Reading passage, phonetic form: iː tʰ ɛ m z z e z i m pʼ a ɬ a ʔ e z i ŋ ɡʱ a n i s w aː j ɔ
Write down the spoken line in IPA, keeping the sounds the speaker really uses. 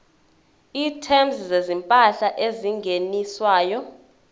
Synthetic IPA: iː tʰ ɛ m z z e z i m pʼ a ɬ a ʔ e z i ŋ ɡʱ e n i s w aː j ɔ